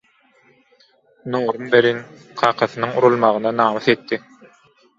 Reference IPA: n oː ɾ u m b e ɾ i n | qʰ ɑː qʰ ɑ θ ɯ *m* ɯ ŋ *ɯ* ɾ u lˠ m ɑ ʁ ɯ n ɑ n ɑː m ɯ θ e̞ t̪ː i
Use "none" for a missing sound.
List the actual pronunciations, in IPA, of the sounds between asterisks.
n, u

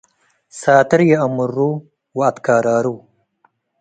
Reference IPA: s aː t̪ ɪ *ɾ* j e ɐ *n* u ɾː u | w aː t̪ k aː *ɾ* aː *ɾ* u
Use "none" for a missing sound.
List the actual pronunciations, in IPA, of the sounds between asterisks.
ɾ, m, ɾ, ɾ

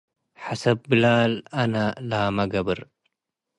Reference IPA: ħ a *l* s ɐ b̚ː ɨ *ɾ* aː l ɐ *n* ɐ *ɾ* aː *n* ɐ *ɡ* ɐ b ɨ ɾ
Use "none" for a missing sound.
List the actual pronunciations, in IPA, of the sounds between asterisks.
none, l, n, l, m, ɡ

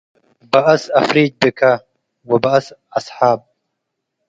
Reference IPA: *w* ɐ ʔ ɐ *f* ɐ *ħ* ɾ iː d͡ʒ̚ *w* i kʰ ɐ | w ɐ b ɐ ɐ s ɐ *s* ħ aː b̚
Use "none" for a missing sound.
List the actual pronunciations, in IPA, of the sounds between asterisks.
b, s, f, b, s

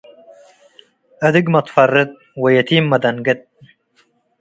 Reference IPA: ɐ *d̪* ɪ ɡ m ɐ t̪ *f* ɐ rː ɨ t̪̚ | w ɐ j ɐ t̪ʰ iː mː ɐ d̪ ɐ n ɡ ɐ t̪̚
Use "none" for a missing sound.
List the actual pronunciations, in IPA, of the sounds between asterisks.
d̪, f

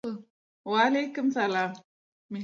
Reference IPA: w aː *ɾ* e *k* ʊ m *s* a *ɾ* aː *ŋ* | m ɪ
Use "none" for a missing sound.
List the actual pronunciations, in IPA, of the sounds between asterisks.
l, k, s, l, m

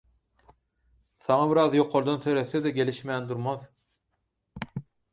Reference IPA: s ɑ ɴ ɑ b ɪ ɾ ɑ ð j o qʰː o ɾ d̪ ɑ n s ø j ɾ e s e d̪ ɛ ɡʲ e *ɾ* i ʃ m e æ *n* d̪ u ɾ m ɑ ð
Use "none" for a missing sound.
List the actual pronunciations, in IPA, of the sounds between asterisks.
l, n

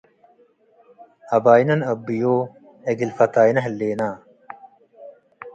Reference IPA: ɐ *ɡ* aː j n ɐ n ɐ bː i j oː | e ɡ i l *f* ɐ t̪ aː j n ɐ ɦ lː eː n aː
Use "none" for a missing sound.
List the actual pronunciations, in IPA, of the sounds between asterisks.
b, f

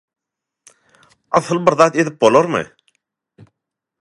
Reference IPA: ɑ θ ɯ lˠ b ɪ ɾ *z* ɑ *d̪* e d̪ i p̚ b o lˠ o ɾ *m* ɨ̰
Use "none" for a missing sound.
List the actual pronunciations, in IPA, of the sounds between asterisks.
ð, t̪, m

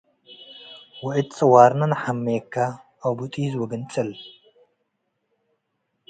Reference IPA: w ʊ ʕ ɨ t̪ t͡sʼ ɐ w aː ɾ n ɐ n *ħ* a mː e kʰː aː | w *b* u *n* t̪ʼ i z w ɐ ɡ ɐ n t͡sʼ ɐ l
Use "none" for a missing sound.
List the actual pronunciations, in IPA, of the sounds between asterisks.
ħ, b, none

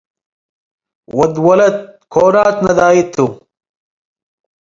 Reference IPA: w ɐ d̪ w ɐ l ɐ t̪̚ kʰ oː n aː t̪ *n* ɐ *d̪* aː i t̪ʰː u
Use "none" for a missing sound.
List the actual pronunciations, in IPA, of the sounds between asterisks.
n, d̪

